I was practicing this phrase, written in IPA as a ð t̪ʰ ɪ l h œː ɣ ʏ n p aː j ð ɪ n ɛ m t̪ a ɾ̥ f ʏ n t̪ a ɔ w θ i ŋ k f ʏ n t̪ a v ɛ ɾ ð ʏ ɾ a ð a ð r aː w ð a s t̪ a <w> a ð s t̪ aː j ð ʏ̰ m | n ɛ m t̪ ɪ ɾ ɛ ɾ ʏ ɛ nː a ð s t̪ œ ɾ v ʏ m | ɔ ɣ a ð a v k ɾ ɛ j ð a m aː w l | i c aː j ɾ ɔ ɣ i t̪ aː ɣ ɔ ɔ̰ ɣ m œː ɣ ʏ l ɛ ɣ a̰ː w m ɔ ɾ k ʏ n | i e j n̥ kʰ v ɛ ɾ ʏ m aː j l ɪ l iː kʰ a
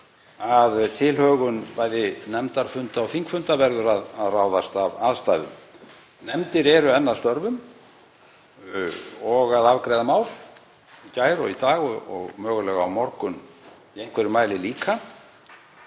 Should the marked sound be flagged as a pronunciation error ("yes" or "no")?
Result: yes